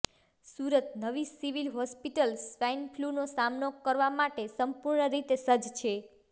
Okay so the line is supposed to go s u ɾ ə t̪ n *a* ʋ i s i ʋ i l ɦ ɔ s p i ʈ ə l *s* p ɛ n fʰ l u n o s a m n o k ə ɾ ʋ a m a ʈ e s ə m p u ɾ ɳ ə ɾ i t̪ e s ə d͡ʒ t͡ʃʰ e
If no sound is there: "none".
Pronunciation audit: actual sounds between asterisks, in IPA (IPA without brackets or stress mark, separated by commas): ə, s